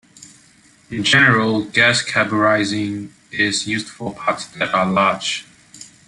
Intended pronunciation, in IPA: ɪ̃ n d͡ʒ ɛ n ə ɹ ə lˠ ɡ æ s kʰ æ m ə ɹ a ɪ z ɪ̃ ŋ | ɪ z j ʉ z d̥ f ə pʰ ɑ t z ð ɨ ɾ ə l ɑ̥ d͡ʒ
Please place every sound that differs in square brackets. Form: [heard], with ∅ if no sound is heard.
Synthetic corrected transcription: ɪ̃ n d͡ʒ ɛ n ə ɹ ə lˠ ɡ æ s kʰ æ [b] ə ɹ a ɪ z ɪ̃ ŋ | ɪ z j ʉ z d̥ f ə pʰ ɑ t [s] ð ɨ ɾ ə l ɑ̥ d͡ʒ